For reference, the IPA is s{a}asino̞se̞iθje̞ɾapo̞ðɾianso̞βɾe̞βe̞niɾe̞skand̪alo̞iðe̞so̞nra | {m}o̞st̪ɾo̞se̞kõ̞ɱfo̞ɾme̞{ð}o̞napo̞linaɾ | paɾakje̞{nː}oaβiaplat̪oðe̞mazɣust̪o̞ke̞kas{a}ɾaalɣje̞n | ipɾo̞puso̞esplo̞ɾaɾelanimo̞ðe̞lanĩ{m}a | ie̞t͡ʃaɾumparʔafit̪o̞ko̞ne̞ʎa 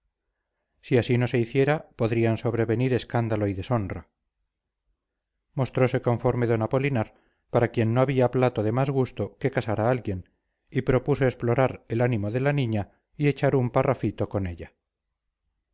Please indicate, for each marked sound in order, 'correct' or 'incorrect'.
incorrect: i, correct, correct, correct, correct, incorrect: ɲ

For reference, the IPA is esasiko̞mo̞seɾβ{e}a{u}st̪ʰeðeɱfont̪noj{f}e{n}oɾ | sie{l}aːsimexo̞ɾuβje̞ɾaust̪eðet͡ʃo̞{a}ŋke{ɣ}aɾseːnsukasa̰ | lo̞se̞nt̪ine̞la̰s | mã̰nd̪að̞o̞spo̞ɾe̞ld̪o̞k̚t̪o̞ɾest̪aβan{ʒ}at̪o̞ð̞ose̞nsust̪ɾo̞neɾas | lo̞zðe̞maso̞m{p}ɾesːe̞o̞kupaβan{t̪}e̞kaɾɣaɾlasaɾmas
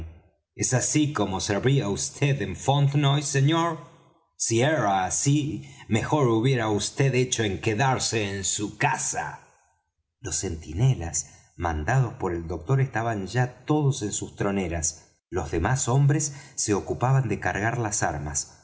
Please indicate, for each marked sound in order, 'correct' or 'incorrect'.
incorrect: i, correct, incorrect: s, incorrect: ɲ, incorrect: ɾ, incorrect: e, incorrect: ð, correct, incorrect: b, incorrect: d̪

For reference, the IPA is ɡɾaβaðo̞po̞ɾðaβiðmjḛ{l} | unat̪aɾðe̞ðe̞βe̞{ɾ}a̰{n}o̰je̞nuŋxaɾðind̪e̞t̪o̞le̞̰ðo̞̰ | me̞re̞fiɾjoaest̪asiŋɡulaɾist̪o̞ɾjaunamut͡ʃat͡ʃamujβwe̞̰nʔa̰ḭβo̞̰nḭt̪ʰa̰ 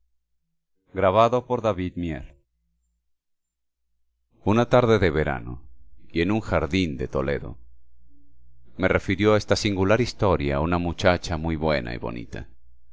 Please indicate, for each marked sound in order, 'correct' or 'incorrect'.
correct, correct, correct

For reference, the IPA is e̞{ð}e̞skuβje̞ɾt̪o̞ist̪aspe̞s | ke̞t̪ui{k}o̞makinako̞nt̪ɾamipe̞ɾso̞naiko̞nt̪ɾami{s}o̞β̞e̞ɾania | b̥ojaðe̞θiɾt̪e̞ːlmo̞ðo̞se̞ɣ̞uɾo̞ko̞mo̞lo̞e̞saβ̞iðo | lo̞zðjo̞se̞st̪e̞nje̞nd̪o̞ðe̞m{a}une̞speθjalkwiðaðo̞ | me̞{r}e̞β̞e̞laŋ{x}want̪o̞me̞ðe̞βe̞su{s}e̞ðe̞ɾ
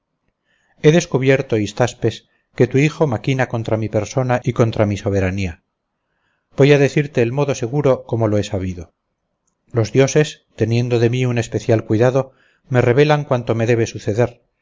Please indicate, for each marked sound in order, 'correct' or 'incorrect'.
correct, incorrect: x, correct, incorrect: i, correct, incorrect: k, incorrect: θ

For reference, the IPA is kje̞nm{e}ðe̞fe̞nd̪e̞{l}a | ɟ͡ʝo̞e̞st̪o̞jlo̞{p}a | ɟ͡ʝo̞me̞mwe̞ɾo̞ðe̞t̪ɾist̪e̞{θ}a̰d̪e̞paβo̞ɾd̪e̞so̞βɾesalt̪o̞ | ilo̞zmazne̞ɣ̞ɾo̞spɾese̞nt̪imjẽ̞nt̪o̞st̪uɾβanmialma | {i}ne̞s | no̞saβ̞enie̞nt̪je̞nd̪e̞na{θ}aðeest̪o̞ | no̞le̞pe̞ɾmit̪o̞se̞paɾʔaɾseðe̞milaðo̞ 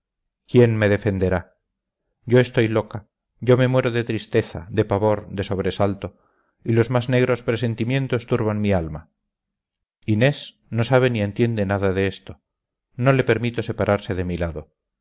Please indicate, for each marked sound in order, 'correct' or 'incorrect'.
correct, incorrect: ɾ, incorrect: k, correct, correct, incorrect: ð

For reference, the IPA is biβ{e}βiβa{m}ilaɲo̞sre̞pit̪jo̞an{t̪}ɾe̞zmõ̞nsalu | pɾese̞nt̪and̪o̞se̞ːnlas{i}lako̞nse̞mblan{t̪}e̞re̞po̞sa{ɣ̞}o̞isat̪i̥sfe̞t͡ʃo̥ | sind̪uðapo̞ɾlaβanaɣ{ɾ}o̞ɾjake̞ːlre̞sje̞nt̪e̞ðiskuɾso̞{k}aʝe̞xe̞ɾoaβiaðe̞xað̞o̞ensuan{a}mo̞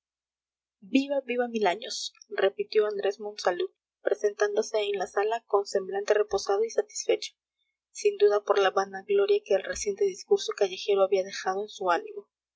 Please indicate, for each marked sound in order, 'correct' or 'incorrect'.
incorrect: a, correct, incorrect: d̪, incorrect: a, correct, incorrect: ð̞, incorrect: l, correct, incorrect: i

